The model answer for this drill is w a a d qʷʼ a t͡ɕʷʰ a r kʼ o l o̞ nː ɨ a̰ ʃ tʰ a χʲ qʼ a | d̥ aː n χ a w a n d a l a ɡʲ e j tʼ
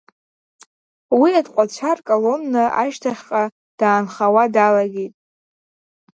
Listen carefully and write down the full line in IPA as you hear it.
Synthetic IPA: w i a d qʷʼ a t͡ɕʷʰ a r kʼ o l o̞ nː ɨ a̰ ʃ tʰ a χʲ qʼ a | d̥ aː n χ a w a d a l a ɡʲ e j tʼ